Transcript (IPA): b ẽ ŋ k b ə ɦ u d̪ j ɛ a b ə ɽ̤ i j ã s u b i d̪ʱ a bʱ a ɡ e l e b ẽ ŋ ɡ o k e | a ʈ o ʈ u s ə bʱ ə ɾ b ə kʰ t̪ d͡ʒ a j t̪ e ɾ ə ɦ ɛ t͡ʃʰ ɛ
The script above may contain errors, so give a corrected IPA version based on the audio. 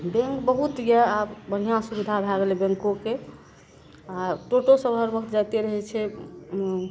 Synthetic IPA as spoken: b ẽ ŋ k b ə ɦ u t̪ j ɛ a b ə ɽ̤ i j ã s u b i d̪ʱ a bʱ a ɡ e l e b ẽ ŋ k o k e | a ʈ o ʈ o s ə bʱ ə ɾ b ə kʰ t̪ d͡ʒ a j t̪ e ɾ ə ɦ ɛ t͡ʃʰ ɛ